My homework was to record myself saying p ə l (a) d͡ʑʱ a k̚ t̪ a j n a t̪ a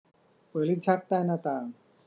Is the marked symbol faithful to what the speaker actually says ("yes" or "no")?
no